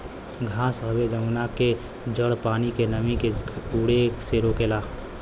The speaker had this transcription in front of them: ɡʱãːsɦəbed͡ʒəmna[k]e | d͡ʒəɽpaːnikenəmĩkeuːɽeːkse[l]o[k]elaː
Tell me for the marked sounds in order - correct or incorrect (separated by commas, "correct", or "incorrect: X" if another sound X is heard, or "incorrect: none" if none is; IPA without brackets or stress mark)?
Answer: correct, incorrect: ɾ, correct